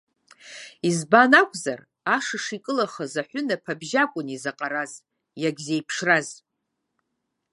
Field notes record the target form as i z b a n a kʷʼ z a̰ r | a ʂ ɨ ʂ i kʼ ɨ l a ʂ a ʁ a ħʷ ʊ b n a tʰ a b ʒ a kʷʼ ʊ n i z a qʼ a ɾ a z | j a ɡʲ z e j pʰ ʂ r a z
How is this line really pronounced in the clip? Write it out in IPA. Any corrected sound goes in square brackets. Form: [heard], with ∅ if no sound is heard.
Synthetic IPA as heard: i z b a n a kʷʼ z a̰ r | a ʂ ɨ ʂ i kʼ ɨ l a [χ] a [z] a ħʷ ʊ [∅] n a [pʰ] a b ʒ a kʷʼ ʊ n i z a qʼ a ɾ a z | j a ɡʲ z e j pʰ ʂ r a z